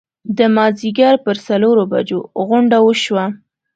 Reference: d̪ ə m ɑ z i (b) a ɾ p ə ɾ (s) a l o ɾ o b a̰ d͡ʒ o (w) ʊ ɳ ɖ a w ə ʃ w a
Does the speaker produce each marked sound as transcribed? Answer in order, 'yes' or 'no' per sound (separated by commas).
no, yes, no